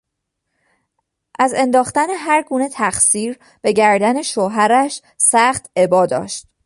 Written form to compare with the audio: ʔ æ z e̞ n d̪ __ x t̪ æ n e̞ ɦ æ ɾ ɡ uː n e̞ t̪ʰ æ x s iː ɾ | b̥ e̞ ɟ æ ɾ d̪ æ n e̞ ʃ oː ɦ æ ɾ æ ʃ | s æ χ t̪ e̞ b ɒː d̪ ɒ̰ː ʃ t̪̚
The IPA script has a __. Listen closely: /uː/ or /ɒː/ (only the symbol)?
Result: ɒː